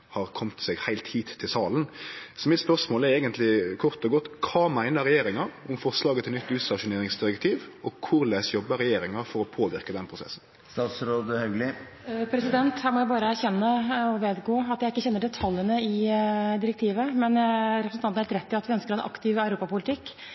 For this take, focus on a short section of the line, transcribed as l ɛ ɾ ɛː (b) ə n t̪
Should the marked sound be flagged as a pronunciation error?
yes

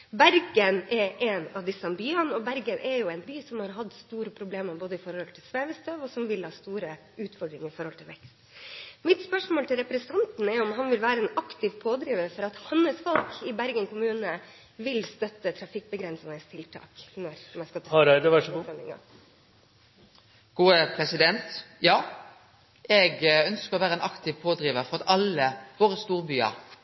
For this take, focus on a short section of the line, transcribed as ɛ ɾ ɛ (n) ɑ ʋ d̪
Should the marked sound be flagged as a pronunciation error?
no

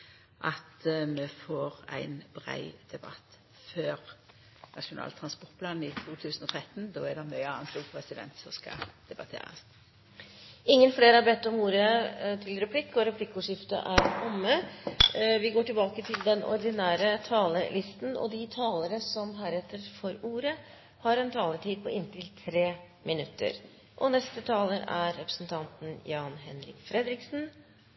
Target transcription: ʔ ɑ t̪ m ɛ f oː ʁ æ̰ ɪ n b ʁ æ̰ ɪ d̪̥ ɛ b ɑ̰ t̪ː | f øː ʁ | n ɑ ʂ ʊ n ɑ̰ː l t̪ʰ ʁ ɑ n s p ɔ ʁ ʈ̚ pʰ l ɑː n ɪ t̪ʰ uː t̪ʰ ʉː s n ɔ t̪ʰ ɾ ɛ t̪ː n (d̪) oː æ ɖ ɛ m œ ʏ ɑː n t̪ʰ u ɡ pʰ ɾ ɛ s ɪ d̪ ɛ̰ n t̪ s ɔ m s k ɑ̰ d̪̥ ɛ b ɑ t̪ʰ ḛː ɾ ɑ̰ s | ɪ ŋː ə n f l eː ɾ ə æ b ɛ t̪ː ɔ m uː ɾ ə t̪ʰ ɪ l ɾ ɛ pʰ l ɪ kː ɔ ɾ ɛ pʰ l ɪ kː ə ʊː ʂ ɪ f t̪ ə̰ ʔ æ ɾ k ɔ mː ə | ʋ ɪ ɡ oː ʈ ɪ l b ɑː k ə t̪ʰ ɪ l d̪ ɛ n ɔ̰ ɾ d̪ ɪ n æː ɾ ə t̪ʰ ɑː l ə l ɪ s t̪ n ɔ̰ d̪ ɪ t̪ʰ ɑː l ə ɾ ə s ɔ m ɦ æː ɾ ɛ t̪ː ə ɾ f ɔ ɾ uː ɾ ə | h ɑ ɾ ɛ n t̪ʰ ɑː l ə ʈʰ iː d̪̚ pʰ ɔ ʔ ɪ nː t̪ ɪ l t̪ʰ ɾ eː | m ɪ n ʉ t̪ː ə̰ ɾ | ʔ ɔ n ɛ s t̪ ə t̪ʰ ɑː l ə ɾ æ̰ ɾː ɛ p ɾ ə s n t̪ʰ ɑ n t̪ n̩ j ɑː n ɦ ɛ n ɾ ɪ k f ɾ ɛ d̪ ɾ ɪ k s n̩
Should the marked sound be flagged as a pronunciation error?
no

